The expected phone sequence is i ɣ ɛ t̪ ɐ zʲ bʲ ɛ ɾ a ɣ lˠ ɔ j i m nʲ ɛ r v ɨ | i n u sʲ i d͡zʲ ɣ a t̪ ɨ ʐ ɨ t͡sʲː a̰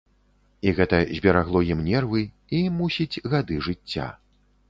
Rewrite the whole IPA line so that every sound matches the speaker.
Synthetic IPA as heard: i ɣ ɛ t̪ ɐ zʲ bʲ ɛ ɾ a ɣ lˠ ɔ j i m nʲ ɛ r v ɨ | i m u sʲ i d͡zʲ ɣ a d̪ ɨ ʐ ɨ t͡sʲː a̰